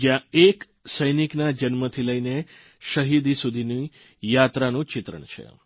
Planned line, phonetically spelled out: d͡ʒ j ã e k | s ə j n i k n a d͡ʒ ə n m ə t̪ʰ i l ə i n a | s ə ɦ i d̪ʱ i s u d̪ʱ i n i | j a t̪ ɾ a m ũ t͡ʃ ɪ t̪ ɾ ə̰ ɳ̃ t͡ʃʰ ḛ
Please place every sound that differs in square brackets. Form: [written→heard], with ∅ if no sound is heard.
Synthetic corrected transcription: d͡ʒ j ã e k | s ə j n i k n a d͡ʒ ə n m ə t̪ʰ i l ə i n [a→e] | [s→ʃ] ə ɦ i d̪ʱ i s u d̪ʱ i n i | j a t̪ ɾ a [m→n] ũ t͡ʃ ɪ t̪ ɾ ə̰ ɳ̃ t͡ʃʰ ḛ